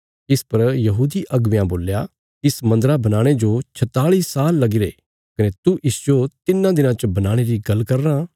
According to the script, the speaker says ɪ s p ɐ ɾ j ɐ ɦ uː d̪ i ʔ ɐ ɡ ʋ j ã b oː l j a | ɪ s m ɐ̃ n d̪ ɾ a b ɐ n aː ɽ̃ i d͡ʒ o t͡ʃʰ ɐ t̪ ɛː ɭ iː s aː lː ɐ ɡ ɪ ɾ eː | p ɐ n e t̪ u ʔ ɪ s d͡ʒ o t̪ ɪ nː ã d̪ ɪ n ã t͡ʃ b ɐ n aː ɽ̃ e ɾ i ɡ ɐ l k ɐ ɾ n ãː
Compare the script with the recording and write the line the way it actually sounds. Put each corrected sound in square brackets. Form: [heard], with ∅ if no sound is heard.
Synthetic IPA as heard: ɪ s p ɐ ɾ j ɐ ɦ uː d̪ i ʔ ɐ ɡ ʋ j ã b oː l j a | ɪ s m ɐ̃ n d̪ ɾ a b ɐ n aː ɽ̃ [e] d͡ʒ o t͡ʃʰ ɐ t̪ [aː] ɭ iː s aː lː ɐ ɡ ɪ ɾ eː | [k] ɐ n e t̪ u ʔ ɪ s d͡ʒ o t̪ ɪ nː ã d̪ ɪ n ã t͡ʃ b ɐ n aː ɽ̃ e ɾ i ɡ ɐ l k ɐ ɾ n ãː